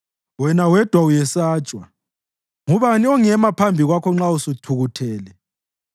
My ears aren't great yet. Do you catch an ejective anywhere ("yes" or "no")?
yes